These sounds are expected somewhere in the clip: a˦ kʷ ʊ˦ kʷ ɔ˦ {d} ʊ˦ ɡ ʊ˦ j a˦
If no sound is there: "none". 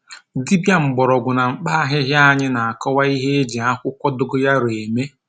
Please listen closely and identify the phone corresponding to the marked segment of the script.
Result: d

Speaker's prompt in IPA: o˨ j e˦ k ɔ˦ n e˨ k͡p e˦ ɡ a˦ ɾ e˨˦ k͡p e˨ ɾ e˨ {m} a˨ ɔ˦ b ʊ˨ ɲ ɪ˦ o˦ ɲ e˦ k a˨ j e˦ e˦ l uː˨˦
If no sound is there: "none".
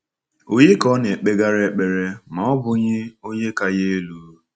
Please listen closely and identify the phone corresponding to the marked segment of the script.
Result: m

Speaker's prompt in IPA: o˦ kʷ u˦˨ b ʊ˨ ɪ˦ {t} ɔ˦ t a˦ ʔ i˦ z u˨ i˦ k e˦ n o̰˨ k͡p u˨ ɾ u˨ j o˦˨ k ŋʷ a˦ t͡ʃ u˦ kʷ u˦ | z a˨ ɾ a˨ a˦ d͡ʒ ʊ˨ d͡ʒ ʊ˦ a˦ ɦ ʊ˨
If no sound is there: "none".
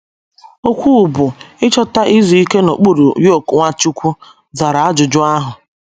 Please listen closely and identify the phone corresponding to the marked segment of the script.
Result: t͡ʃ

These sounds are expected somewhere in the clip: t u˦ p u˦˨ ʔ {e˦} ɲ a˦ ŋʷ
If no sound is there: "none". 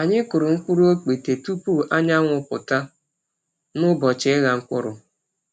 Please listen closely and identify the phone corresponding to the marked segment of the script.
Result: a˦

